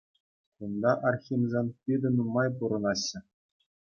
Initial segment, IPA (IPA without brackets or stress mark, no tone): u